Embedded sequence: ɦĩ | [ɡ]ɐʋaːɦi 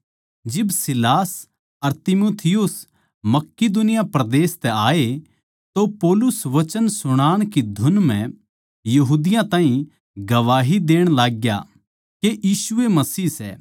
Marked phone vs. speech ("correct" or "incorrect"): correct